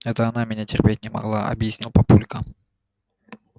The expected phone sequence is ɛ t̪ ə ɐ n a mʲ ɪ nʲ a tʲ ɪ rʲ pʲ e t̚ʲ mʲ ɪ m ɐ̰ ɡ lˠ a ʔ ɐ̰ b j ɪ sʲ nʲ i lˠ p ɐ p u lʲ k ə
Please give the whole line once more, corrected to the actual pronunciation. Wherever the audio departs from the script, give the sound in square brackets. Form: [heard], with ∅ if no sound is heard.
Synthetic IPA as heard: ɛ t̪ ə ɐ n a mʲ ɪ nʲ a tʲ ɪ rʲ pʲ e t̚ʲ [nʲ] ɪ m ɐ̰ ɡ lˠ a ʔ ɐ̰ b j ɪ sʲ nʲ i lˠ p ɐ p u lʲ k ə